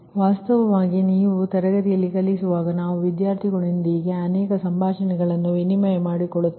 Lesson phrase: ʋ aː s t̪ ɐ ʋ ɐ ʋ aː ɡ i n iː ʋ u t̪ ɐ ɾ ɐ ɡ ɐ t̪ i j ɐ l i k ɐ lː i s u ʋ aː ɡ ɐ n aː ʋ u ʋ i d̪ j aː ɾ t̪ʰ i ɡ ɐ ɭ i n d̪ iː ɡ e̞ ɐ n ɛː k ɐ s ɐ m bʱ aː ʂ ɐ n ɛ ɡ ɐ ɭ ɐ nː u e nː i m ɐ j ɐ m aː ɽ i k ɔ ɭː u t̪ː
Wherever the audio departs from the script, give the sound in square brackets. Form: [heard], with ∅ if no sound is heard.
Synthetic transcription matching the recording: ʋ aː s t̪ ɐ ʋ ɐ ʋ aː ɡ i n iː ʋ u t̪ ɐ ɾ ɐ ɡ ɐ t̪ i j ɐ [lː] i k ɐ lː i s u ʋ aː ɡ ɐ n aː ʋ u ʋ i d̪ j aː ɾ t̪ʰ i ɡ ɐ ɭ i n d̪ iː ɡ e̞ ɐ n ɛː k ɐ s ɐ m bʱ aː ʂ ɐ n ɛ ɡ ɐ ɭ ɐ nː u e [n] i m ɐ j ɐ m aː ɽ i k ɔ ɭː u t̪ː